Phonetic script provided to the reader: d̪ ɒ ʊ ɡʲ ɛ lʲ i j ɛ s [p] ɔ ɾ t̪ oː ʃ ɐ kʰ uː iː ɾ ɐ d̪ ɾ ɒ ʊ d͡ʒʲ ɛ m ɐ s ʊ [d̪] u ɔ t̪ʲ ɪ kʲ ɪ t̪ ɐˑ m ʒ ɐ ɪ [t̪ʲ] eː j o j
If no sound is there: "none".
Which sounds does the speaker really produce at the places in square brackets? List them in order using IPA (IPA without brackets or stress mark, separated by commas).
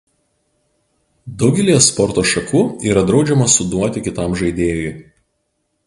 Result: p, d̪, d̪ʲ